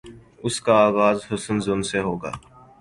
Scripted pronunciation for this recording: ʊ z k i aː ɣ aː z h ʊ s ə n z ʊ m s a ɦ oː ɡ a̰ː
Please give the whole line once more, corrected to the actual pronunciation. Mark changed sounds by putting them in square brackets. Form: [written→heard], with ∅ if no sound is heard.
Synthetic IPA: ʊ [z→s] k [i→a] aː ɣ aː z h ʊ s ə n z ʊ [m→n] s [a→e] ɦ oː ɡ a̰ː